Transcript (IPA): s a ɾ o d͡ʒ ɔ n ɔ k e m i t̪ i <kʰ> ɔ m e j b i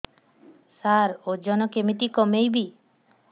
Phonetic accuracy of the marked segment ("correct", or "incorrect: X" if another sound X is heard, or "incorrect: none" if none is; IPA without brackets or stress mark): incorrect: k